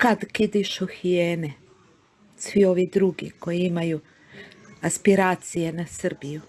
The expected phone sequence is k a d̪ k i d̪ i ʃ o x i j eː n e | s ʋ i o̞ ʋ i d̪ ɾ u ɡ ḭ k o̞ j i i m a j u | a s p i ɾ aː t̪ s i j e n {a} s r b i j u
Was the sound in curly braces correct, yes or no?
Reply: yes